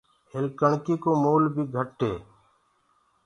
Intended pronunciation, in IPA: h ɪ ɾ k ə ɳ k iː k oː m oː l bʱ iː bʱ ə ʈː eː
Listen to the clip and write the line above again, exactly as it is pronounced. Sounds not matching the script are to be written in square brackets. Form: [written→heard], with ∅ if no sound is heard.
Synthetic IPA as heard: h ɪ [ɾ→l] k ə ɳ k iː k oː m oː l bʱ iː [bʱ→ɡʱ] ə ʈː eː